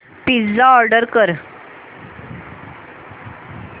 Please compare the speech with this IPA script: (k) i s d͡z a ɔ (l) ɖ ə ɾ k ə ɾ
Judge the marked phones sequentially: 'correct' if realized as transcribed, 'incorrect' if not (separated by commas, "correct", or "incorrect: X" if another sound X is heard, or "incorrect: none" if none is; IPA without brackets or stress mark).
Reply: incorrect: p, incorrect: ɾ